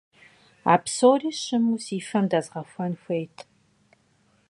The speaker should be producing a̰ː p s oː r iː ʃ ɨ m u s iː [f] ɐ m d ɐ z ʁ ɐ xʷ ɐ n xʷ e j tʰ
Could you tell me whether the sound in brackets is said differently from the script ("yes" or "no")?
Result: no